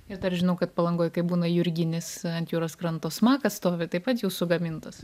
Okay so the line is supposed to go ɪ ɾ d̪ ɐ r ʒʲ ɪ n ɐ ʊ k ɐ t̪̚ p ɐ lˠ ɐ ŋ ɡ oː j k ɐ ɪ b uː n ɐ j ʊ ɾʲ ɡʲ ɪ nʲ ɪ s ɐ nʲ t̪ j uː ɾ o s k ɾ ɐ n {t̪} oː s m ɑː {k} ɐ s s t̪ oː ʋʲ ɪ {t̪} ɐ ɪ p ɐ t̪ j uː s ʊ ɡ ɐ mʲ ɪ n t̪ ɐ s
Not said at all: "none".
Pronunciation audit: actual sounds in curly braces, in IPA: t̪, k, t̪

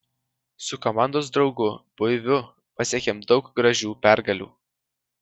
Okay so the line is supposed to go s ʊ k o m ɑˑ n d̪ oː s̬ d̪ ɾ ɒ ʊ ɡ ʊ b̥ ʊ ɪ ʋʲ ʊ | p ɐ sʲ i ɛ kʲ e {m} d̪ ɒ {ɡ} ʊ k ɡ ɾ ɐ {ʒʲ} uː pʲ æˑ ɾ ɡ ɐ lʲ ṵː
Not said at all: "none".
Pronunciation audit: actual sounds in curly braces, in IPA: m, none, ʒʲ

